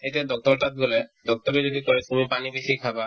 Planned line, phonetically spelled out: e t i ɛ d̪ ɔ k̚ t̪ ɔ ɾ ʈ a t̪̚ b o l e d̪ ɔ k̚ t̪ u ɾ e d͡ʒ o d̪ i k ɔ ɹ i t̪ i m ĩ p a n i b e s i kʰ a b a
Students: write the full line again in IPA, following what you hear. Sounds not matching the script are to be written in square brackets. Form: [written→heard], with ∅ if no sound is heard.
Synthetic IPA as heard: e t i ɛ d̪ ɔ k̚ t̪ ɔ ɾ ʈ a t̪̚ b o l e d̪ ɔ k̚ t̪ [u→ɔ] ɾ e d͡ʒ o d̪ i k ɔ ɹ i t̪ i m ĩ p a n i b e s i kʰ a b a